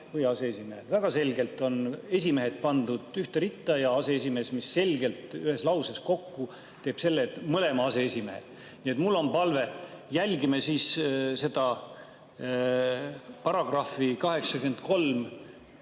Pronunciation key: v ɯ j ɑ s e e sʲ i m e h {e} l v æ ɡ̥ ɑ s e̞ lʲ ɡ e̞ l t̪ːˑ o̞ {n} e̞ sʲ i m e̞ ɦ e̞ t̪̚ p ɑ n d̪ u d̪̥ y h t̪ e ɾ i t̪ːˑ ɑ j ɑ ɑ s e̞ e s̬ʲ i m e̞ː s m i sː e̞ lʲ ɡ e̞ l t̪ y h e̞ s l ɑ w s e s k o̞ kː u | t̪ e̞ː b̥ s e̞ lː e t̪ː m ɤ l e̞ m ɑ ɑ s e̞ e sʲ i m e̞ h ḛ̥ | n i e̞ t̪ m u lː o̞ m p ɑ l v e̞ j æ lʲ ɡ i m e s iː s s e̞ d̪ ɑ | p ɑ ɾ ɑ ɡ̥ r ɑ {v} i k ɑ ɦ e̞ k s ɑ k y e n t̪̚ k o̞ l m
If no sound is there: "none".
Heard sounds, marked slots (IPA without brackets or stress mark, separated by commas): e, n, f